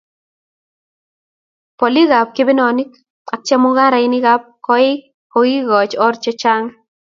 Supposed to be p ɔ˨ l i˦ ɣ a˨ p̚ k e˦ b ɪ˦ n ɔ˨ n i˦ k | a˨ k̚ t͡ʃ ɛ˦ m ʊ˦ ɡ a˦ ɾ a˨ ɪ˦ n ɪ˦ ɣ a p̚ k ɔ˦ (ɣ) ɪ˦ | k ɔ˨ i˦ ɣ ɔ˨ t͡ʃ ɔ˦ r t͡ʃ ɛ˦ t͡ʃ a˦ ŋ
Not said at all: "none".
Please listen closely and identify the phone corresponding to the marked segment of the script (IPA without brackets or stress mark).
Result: none